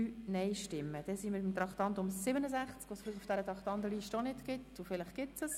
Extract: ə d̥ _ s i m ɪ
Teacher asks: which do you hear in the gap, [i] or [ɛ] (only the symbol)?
ɛ